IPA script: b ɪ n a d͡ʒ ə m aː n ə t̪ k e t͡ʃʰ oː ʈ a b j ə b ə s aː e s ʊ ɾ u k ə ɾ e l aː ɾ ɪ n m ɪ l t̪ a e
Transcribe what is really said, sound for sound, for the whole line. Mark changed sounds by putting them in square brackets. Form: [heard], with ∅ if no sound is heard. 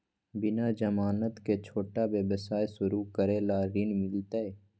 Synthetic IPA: b ɪ n a d͡ʒ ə m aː n ə t̪ k e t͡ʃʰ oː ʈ a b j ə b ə s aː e s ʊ ɾ u k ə ɾ e l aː ɾ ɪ n m ɪ l t̪ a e